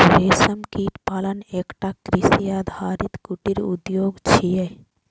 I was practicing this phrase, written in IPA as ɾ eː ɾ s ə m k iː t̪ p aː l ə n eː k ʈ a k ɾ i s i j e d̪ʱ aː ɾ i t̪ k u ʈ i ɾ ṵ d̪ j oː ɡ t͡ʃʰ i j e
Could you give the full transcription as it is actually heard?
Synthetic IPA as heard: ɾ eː s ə m k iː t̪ p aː l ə n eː k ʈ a k ɾ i s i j a d̪ʱ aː ɾ i t̪ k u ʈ i ɾ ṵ d̪ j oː ɡ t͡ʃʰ i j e

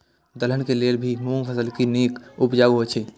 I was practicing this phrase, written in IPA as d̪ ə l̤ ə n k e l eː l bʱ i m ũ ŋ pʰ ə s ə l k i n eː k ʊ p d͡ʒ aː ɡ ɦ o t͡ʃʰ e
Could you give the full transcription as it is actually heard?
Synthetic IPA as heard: d̪ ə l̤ ə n k e l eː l bʱ i m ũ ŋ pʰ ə s ə l k i n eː k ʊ p d͡ʒ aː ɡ ɦ o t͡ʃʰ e

